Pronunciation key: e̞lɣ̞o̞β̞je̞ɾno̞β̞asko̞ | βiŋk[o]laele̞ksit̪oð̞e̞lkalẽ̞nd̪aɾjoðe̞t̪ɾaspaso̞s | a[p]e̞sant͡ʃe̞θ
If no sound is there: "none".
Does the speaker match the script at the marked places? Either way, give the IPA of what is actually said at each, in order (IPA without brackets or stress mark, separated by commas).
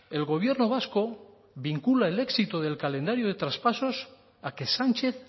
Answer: u, k